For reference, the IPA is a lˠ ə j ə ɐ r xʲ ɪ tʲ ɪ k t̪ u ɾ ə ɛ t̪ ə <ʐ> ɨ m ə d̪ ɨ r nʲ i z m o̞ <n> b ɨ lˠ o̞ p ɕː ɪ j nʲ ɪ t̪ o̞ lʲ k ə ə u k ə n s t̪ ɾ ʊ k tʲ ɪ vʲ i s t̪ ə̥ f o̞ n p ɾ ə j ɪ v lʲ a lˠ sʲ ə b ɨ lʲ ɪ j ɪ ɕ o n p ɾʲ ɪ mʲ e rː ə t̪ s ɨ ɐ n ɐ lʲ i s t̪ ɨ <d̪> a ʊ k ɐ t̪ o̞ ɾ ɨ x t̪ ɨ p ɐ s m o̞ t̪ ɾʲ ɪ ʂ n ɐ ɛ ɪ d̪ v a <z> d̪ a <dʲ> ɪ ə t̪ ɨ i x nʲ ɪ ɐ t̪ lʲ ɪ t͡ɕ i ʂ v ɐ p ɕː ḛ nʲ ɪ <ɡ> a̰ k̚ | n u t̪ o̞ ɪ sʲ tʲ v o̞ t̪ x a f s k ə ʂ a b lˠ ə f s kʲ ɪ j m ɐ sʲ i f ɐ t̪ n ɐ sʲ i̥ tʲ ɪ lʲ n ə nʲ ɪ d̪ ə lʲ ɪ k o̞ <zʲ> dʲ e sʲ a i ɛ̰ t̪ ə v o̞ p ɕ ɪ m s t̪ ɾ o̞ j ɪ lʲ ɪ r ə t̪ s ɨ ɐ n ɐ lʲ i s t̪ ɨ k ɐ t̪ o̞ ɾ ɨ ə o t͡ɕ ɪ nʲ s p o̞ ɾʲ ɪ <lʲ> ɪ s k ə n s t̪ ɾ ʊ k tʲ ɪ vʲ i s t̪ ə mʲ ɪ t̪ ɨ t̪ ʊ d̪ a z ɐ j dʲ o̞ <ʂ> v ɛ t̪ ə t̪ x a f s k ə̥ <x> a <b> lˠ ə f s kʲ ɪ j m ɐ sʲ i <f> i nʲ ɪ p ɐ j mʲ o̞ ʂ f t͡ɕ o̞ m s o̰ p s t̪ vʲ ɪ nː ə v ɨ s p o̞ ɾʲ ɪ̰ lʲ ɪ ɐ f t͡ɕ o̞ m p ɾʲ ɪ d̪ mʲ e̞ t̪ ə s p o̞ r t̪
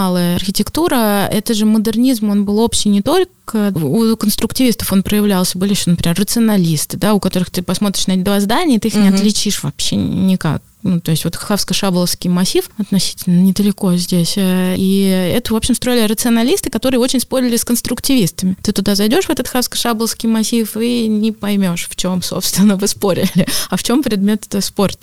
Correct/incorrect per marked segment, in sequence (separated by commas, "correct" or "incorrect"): correct, correct, correct, correct, incorrect, incorrect, correct, correct, correct, incorrect, correct, correct